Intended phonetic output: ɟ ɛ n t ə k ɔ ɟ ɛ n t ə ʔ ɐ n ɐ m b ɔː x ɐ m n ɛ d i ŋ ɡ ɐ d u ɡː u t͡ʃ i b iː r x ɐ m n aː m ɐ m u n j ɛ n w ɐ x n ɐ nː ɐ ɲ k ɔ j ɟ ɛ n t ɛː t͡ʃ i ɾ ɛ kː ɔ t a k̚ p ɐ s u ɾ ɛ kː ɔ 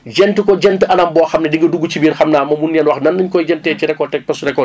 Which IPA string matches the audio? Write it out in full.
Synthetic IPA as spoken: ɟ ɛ n t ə k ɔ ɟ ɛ n t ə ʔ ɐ n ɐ m b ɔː x ɐ m n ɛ d i ŋ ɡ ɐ d u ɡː u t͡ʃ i b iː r x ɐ m n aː m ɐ m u n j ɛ n w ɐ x n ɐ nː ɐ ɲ k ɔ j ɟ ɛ n t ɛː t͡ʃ i ɾ ɛ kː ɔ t ɛ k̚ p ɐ s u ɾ ɛ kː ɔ